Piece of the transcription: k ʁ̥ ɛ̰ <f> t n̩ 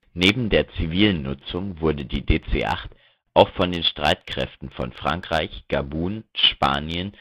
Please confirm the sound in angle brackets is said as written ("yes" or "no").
yes